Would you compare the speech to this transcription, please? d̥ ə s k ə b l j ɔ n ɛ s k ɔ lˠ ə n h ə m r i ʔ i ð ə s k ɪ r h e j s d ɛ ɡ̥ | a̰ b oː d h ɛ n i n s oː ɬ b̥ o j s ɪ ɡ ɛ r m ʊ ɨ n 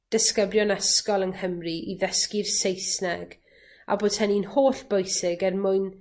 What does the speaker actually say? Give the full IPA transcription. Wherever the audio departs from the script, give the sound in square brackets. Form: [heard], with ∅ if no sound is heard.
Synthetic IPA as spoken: d̥ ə s k ə b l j ɔ n ɛ s k ɔ lˠ ə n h ə m r i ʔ i ð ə s k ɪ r [s] e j s [n] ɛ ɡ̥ | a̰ b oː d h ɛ n i n [h] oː ɬ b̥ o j s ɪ ɡ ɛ r m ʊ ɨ n